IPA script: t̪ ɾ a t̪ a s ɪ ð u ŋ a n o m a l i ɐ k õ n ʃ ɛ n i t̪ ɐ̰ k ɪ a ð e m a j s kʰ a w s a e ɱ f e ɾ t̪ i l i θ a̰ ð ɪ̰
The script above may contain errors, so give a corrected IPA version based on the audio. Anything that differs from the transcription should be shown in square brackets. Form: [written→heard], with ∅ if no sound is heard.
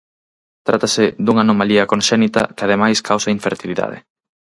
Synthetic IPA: t̪ ɾ a t̪ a s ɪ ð u ŋ a n o m a l i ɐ k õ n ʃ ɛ n i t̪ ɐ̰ k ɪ a ð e m a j s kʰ a w s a [e→i] ɱ f e ɾ t̪ i l i [θ→ð] a̰ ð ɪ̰